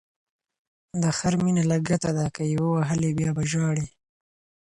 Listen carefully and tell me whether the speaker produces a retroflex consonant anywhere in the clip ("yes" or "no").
yes